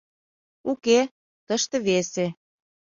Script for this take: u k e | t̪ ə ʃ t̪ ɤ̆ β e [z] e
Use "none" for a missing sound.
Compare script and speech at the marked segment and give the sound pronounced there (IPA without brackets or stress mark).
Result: s